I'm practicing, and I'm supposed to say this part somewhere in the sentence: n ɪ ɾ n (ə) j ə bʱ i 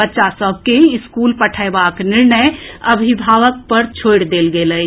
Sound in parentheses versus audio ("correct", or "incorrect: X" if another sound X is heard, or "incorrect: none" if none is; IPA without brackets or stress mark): correct